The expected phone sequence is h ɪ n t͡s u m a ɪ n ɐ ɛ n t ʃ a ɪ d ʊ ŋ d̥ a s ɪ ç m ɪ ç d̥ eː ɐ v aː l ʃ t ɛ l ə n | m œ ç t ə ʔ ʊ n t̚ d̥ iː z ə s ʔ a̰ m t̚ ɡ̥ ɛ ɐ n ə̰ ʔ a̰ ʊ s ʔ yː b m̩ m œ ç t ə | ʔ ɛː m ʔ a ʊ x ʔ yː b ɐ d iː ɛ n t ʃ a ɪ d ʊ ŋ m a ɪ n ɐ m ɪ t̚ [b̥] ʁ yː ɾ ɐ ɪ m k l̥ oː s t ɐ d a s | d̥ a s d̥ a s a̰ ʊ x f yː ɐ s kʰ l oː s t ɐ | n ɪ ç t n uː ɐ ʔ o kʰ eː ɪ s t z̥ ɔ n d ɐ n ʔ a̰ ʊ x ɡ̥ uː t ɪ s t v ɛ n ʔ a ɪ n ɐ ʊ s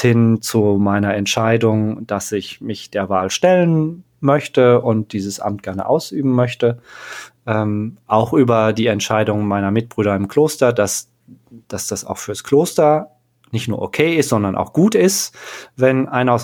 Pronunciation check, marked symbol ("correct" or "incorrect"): correct